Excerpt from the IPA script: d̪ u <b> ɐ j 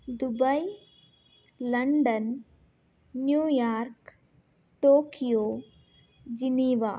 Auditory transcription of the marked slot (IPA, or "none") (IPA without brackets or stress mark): b